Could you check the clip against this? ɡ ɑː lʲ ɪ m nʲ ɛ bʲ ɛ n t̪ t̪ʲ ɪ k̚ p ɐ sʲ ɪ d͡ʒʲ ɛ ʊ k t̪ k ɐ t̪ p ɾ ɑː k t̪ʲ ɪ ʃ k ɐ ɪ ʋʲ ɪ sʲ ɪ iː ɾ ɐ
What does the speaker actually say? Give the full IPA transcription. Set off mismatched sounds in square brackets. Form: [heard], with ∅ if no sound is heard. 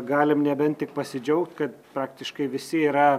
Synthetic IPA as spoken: ɡ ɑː lʲ ɪ m nʲ ɛ bʲ ɛ n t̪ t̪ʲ ɪ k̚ p ɐ sʲ ɪ d͡ʒʲ ɛ ʊ k t̪ k ɐ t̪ p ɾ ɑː k t̪ʲ ɪ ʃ k ɐ ɪ ʋʲ ɪ sʲ ɪ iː ɾ ɐ

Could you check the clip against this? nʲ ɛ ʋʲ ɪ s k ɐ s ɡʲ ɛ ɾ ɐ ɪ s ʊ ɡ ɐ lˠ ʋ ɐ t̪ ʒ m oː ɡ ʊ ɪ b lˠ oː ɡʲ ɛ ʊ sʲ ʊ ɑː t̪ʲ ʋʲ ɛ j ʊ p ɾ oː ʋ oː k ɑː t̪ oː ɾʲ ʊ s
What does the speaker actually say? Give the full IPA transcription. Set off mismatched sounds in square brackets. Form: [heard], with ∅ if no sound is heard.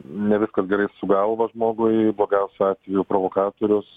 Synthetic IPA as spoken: nʲ ɛ ʋʲ ɪ s k ɐ s ɡʲ ɛ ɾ ɐ ɪ s ʊ ɡ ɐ lˠ ʋ ɐ [∅] ʒ m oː ɡ ʊ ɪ b lˠ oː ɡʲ ɛ ʊ sʲ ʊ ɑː t̪ʲ ʋʲ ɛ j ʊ p ɾ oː ʋ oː k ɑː t̪ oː ɾʲ ʊ s

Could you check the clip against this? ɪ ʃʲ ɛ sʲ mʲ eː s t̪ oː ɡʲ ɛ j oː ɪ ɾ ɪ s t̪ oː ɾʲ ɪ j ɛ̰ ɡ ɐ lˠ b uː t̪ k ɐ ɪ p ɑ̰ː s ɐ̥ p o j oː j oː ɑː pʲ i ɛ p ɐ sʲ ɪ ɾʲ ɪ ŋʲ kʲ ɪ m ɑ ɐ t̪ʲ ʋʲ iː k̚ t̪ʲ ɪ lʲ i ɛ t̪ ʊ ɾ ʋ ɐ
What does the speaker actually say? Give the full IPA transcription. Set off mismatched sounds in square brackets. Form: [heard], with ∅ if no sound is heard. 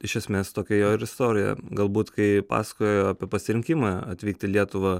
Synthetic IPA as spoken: ɪ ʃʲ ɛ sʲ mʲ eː s t̪ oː [kʲ] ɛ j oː ɪ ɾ ɪ s t̪ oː ɾʲ ɪ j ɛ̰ ɡ ɐ lˠ b uː t̪ k ɐ ɪ p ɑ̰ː s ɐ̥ [k] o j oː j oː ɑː pʲ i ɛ p ɐ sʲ ɪ ɾʲ ɪ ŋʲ kʲ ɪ m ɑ ɐ t̪ʲ ʋʲ iː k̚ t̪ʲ ɪ lʲ i ɛ t̪ ʊ [∅] ʋ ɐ

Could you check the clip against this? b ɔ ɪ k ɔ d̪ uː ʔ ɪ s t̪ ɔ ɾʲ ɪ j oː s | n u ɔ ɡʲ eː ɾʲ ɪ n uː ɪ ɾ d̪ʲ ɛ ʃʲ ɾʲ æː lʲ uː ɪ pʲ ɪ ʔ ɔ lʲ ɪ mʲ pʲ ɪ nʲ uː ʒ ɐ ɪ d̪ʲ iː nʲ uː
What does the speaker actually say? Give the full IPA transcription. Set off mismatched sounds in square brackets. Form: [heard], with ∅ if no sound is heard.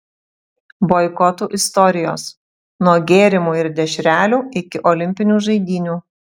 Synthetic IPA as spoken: b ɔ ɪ k ɔ [t̪] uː ʔ ɪ s t̪ ɔ ɾʲ ɪ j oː s | n u ɔ ɡʲ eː ɾʲ ɪ [m] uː ɪ ɾ d̪ʲ ɛ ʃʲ ɾʲ æː lʲ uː ɪ [kʲ] ɪ ʔ ɔ lʲ ɪ mʲ pʲ ɪ nʲ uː ʒ ɐ ɪ d̪ʲ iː nʲ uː

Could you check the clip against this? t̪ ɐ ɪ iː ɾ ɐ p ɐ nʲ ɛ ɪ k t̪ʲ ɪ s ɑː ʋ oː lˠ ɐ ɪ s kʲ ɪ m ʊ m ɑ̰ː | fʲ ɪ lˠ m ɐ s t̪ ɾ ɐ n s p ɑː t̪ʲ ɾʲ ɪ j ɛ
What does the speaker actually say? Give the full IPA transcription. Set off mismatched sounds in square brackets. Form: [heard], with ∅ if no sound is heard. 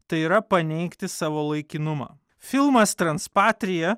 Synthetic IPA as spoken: t̪ ɐ ɪ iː ɾ ɐ p ɐ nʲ ɛ ɪ k t̪ʲ ɪ s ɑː ʋ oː lˠ ɐ ɪ [∅] kʲ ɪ [n] ʊ m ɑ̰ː | fʲ ɪ lˠ m ɐ s t̪ ɾ ɐ n s p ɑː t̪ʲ ɾʲ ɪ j ɛ

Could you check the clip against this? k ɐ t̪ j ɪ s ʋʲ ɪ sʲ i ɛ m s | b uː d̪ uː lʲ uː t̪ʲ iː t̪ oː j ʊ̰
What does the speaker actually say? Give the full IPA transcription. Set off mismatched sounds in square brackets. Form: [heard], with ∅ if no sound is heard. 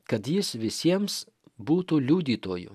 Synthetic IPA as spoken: k ɐ t̪ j ɪ s ʋʲ ɪ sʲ i ɛ m s | b uː [t̪] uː lʲ uː [d̪ʲ] iː t̪ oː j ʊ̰

